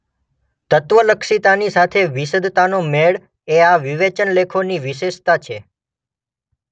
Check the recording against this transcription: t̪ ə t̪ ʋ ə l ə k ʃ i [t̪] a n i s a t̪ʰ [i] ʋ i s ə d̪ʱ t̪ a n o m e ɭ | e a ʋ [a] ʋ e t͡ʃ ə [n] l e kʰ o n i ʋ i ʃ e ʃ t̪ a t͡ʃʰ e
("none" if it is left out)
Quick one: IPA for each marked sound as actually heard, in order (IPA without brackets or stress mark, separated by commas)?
t̪, e, i, n